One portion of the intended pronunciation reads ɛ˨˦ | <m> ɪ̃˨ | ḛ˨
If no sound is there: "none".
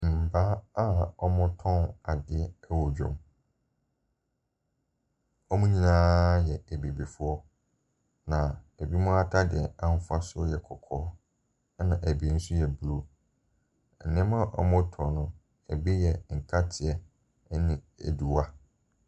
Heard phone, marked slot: n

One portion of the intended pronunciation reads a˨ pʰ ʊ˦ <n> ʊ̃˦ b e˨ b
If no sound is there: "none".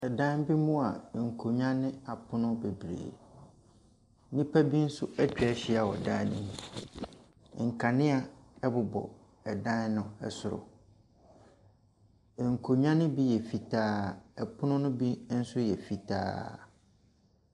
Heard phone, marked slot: n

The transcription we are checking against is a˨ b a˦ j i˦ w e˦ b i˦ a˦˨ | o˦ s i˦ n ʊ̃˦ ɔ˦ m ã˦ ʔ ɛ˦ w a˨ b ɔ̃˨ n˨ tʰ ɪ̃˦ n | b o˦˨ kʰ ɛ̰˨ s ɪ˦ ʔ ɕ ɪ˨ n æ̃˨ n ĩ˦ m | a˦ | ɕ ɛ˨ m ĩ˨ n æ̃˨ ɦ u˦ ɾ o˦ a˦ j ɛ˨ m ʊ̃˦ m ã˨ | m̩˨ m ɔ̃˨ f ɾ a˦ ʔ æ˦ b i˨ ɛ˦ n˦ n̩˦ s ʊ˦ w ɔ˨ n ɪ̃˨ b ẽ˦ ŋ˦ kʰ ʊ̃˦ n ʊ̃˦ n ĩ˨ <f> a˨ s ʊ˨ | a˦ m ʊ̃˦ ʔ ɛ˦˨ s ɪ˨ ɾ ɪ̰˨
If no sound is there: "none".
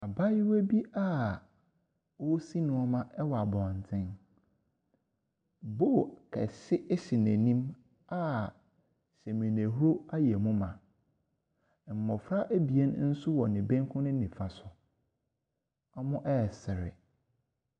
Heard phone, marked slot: f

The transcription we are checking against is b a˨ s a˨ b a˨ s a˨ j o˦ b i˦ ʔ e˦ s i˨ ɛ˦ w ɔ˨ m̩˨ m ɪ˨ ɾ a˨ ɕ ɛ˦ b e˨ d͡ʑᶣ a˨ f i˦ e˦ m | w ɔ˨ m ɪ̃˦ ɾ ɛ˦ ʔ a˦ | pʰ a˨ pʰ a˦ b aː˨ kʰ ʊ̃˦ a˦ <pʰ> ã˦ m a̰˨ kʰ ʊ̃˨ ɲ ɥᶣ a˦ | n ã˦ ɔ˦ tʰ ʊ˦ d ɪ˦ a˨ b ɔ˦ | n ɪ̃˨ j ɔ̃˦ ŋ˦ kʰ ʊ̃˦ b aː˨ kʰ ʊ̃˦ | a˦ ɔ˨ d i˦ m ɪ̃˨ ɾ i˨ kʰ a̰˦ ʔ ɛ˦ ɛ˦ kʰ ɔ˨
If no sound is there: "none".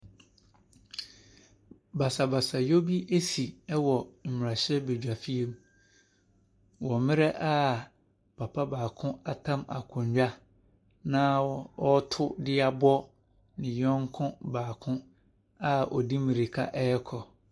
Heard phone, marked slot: tʰ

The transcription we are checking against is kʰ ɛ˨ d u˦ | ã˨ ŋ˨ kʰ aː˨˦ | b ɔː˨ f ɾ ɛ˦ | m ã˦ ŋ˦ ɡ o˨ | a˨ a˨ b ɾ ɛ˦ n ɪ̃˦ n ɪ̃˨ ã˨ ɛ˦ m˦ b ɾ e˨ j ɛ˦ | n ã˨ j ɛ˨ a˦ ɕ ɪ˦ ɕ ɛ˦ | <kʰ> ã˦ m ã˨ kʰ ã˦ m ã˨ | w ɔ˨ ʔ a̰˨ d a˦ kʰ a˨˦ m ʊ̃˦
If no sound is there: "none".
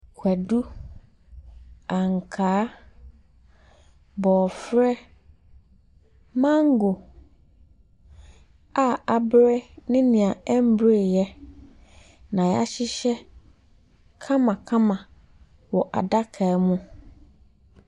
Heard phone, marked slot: kʰ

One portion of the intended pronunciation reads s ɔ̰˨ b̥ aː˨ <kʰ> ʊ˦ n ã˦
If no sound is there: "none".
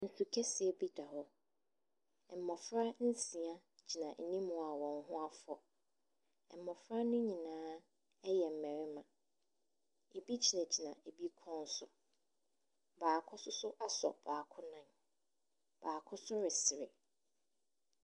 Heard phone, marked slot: kʰ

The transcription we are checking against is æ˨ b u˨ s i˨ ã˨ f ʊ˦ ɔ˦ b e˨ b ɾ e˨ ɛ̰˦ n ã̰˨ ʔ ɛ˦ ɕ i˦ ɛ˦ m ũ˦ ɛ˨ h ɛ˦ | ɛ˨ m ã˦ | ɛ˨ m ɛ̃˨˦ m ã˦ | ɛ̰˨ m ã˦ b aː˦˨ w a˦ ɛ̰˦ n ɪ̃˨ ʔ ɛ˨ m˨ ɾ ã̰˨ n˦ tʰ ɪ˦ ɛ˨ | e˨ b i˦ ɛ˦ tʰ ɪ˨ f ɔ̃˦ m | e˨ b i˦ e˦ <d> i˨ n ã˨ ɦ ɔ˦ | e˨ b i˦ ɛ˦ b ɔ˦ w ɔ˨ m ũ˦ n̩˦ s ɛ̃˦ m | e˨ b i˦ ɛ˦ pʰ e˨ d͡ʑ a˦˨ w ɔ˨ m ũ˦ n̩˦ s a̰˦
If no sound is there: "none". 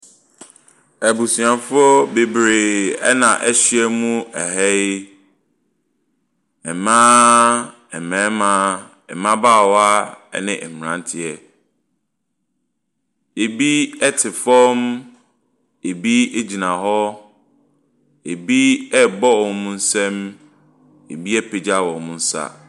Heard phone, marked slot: d͡ʑ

